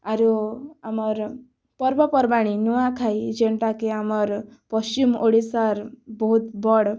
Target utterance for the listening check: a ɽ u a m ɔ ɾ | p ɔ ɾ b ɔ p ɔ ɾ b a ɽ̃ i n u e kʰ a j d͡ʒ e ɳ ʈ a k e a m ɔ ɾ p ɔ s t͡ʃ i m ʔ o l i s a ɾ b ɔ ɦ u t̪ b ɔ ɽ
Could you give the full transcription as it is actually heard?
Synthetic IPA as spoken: a ɾ u a m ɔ ɾ | p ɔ ɾ b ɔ p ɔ ɾ b a ɽ̃ i n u a kʰ a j d͡ʒ e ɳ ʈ a k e a m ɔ ɾ p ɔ s t͡ʃ i m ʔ o ɽ i s a ɾ b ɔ ɦ u t̪ b ɔ ɽ

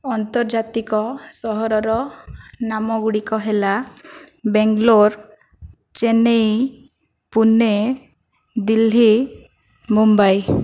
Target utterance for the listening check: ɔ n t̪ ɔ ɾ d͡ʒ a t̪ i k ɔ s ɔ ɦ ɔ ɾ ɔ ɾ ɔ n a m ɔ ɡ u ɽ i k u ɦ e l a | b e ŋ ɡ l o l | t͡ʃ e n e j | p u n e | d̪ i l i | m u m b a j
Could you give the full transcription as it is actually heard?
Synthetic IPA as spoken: ɔ n t̪ ɔ ɾ d͡ʒ a t̪ i k ɔ s ɔ ɦ ɔ ɾ ɔ ɾ ɔ n a m ɔ ɡ u ɽ i k ɔ ɦ e l a | b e ŋ ɡ l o ɾ | t͡ʃ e n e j | p u n e | d̪ i l i | m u m b a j

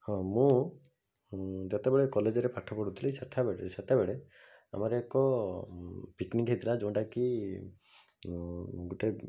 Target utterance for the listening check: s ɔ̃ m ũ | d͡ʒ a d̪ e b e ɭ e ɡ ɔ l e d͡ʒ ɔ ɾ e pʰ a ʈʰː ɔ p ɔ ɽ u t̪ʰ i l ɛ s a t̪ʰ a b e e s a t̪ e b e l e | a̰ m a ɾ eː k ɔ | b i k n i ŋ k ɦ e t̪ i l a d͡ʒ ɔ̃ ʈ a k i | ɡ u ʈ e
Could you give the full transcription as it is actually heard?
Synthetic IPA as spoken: h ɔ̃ m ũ | d͡ʒ a t̪ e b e ɭ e k ɔ l e d͡ʒ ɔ ɾ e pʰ a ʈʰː ɔ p ɔ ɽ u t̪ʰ i l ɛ s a t̪ʰ a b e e s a t̪ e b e ɭ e | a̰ m a ɾ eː k ɔ | p i k n i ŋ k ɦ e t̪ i l a d͡ʒ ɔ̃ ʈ a k i | ɡ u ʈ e

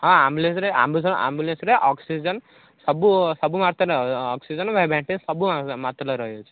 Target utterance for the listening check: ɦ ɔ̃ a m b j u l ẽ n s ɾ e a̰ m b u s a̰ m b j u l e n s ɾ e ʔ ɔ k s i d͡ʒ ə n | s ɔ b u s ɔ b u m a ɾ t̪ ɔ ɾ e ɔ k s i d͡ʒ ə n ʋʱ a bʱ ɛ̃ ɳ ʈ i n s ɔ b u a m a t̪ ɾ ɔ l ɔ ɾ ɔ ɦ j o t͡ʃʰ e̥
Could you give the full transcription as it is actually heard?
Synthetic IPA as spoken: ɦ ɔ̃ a m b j u l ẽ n s ɾ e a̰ m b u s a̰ m b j u l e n s ɾ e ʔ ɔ k s i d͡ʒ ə n | s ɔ b u s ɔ b u m a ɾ t̪ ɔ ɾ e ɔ k s i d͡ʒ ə n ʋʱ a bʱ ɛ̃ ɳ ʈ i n s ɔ b u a m a t̪ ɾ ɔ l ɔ ɾ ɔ ɦ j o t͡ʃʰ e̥

